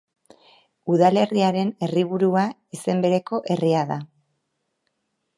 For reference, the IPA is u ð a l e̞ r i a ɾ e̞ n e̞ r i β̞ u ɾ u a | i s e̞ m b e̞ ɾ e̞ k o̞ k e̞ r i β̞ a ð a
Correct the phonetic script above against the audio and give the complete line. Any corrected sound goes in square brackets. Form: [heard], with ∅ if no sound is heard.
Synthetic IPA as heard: u ð a l e̞ r i a ɾ e̞ n e̞ r i β̞ u ɾ u a | i s e̞ m b e̞ ɾ e̞ k o̞ [ʔ] e̞ r i [∅] a ð a

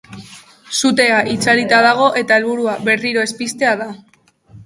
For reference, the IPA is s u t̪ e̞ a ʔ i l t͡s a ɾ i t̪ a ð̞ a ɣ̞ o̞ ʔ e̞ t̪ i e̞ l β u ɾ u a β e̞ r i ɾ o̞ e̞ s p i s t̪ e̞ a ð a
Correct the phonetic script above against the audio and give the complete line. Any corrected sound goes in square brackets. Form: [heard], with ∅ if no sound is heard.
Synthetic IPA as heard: s u t̪ e̞ a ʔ i [∅] t͡s a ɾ i t̪ a ð̞ a ɣ̞ o̞ ʔ e̞ t̪ [a] e̞ l β u ɾ u a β e̞ r i ɾ o̞ e̞ s p i s t̪ e̞ a ð a

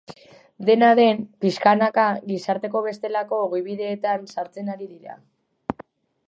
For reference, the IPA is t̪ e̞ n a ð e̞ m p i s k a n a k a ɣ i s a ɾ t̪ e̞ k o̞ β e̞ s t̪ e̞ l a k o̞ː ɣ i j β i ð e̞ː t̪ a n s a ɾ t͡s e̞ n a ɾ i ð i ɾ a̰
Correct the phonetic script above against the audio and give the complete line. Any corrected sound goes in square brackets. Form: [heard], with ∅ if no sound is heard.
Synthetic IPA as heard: [d̪] e̞ n a ð e̞ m p i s k a n a k a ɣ i s a ɾ t̪ e̞ k o̞ β e̞ s t̪ e̞ l a k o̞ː ɣ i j β i ð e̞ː t̪ a n s a ɾ t͡s e̞ n a ɾ i ð i ɾ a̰

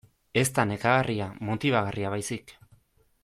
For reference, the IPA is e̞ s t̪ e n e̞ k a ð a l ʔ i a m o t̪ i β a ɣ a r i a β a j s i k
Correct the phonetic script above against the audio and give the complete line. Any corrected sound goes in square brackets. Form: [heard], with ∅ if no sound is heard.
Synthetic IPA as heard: e̞ s t̪ [a] n e̞ k a [ɣ] a [r] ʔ i a m o t̪ i β a ɣ a r i a β a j s i k

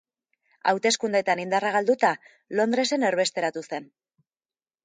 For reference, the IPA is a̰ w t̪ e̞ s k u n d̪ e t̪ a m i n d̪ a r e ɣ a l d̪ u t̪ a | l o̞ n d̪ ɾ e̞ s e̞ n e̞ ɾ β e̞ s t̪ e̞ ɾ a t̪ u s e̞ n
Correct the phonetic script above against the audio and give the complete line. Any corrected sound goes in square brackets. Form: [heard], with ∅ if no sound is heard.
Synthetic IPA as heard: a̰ w t̪ e̞ s k u n d̪ e t̪ a [n] i n d̪ a r [a] ɣ a l d̪ u t̪ a | l o̞ n d̪ ɾ e̞ s e̞ n e̞ ɾ β e̞ s t̪ e̞ ɾ a t̪ u s e̞ n

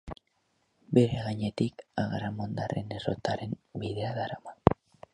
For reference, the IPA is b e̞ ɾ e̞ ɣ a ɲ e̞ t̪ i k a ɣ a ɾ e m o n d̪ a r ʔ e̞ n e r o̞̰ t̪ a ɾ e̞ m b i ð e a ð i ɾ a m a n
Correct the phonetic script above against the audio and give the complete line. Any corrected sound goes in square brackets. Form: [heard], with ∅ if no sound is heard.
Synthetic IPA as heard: b e̞ ɾ e̞ ɣ a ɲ e̞ t̪ i k a ɣ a ɾ [a] m o n d̪ a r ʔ e̞ n e r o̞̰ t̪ a ɾ e̞ m b i ð e a ð [a] ɾ a m a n

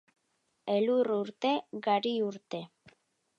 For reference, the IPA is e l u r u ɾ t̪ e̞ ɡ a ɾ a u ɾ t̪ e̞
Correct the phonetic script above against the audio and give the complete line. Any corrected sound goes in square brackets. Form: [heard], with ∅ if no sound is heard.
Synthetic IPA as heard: e l u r u ɾ t̪ e̞ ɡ a ɾ [i] u ɾ t̪ e̞

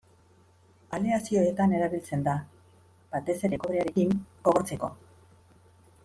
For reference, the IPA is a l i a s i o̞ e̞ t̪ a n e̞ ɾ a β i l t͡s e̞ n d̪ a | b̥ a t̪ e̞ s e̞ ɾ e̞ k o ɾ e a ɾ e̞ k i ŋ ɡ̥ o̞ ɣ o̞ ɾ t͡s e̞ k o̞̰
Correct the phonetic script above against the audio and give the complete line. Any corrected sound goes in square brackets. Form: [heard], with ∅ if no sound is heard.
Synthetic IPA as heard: a l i a s i o̞ e̞ t̪ a n e̞ ɾ a β i l t͡s e̞ n d̪ a | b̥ a t̪ e̞ s e̞ ɾ e̞ k o ɾ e a ɾ e̞ k i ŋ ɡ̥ o̞ ɣ o̞ ɾ t͡s e̞ k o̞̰

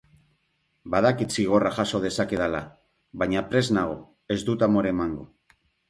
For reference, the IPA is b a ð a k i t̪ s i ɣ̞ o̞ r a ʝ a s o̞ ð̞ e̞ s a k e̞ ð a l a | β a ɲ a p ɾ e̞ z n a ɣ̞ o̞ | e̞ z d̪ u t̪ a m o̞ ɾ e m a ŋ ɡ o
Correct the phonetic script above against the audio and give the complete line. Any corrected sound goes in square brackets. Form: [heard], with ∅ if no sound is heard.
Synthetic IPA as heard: b a ð a k i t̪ s i ɣ̞ o̞ r a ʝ a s o̞ ð̞ e̞ s a k e̞ ð a l a | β a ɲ a p ɾ e̞ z n a ɣ̞ o̞ | e̞ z d̪ u t̪ a m o̞ ɾ e m a ŋ ɡ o

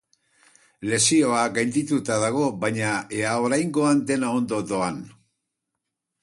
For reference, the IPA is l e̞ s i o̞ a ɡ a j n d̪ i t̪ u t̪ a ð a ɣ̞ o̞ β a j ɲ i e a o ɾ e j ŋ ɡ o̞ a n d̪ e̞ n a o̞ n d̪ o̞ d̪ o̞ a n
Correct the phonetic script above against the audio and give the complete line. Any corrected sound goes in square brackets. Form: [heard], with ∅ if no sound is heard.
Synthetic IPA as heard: l e̞ s i o̞ a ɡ a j n d̪ i t̪ u t̪ a ð a ɣ̞ o̞ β a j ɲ [a] e a o ɾ [a] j ŋ ɡ o̞ a n d̪ e̞ n a o̞ n d̪ o̞ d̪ o̞ a n

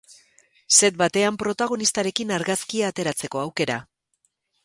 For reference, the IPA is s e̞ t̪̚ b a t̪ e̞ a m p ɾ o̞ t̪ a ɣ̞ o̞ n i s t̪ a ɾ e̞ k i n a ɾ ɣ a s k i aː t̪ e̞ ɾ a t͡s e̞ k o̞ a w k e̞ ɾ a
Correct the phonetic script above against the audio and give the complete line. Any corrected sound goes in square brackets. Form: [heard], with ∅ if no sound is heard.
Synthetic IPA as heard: s e̞ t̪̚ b a t̪ e̞ a m p ɾ o̞ t̪ a ɣ̞ o̞ n i s t̪ a ɾ e̞ k i n a ɾ ɣ a s k i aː t̪ e̞ ɾ a t͡s e̞ k o̞ a w k e̞ ɾ a

